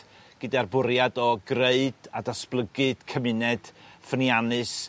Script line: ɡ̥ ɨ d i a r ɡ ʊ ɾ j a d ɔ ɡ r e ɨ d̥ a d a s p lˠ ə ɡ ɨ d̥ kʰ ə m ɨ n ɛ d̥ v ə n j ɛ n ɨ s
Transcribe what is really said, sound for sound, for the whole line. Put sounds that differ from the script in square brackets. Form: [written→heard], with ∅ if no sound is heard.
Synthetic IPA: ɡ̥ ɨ d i a r [ɡ→b] ʊ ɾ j a d ɔ ɡ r e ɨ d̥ a d a s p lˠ ə ɡ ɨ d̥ kʰ ə m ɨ n ɛ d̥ [v→f] ə n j [ɛ→a] n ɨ s